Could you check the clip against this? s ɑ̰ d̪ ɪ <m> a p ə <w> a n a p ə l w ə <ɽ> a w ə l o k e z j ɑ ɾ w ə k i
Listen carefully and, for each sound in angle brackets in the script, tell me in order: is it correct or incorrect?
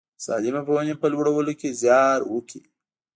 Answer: correct, correct, correct

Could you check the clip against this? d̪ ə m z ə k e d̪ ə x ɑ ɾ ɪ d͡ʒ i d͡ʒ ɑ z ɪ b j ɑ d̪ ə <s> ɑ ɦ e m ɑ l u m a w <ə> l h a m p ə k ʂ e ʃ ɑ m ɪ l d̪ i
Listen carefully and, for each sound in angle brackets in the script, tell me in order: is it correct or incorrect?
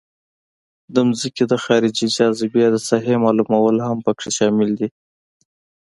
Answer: correct, correct

